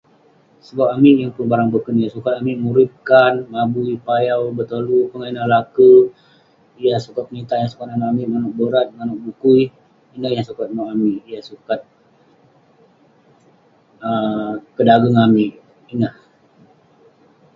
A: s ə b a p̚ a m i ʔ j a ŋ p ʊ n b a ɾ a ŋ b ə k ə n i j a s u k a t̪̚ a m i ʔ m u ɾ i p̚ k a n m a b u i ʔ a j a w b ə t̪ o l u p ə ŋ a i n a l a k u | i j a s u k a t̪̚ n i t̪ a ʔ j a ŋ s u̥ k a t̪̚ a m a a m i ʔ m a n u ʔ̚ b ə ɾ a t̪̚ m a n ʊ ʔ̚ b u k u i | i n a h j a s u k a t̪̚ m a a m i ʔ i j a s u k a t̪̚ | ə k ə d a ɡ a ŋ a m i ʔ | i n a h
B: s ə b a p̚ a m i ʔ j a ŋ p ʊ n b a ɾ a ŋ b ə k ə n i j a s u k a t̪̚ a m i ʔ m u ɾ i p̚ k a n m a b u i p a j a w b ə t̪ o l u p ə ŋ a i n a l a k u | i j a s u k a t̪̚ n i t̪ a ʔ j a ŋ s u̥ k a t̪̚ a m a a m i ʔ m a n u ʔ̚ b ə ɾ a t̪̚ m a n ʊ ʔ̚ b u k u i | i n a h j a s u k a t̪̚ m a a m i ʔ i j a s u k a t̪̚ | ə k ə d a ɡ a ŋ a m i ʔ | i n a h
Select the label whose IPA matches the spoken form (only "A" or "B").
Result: B